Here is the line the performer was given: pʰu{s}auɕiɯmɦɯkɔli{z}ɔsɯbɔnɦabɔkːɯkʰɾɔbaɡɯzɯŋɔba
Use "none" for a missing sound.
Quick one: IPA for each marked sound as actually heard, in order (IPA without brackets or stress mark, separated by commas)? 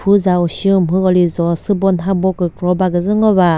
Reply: z, z